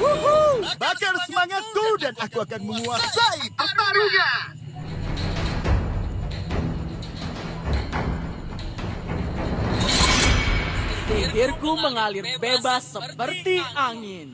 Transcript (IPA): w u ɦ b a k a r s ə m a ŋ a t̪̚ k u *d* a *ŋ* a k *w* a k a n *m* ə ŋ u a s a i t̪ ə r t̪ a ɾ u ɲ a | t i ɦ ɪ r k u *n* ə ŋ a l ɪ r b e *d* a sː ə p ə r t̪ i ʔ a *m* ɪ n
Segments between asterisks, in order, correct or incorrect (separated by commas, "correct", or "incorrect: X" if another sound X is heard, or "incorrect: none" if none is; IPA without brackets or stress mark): correct, incorrect: n, incorrect: u, correct, incorrect: m, incorrect: b, incorrect: ŋ